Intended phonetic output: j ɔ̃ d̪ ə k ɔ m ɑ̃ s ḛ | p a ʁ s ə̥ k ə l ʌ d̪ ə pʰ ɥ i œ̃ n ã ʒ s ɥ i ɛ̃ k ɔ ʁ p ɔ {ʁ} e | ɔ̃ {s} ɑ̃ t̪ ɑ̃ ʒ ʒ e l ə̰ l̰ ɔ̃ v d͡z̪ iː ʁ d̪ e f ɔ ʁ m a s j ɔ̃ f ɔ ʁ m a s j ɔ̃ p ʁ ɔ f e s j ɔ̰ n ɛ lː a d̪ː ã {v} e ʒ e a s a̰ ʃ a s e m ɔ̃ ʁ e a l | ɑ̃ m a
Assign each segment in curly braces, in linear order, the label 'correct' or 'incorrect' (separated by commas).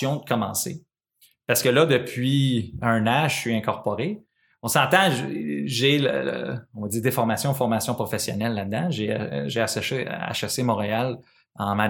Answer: correct, correct, incorrect